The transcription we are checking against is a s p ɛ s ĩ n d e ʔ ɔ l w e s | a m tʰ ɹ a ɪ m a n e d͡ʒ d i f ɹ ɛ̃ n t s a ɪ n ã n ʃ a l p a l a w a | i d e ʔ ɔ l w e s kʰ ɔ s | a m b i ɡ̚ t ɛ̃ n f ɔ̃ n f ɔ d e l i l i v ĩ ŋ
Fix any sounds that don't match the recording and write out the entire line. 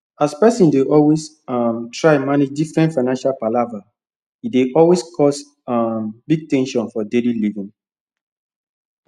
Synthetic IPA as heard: a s p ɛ s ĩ n d e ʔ ɔ l w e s | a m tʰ ɹ a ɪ m a n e d͡ʒ d i f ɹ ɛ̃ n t f a ɪ n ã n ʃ a l p a l a v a | i d e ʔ ɔ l w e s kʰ ɔ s | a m b i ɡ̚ t ɛ̃ n ʃ ɔ̃ n f ɔ d e l i l i v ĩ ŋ